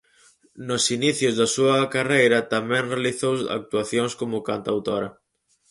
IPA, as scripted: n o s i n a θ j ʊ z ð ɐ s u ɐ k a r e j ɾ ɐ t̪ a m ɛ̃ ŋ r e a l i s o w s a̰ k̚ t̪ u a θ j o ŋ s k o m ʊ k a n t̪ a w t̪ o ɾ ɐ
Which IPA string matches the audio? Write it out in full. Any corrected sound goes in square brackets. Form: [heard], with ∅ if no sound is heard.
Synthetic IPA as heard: n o s i n [i] θ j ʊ z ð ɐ s u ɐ k a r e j ɾ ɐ t̪ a m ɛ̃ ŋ r e a l i [θ] o w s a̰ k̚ t̪ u a θ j o ŋ s k o m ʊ k a n t̪ a w t̪ o ɾ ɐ